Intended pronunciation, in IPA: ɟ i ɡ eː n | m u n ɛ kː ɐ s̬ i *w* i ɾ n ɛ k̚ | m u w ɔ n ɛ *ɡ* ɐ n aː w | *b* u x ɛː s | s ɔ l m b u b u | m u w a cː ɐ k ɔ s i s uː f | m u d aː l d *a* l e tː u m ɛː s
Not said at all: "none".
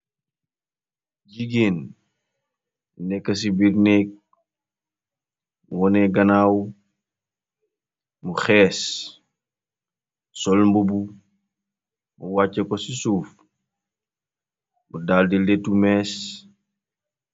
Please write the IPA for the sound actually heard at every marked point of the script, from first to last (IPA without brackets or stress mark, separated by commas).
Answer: b, ɡ, m, i